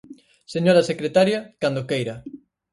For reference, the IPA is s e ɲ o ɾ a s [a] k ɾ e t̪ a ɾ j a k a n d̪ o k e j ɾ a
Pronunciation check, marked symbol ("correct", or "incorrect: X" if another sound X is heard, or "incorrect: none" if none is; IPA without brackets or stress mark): incorrect: e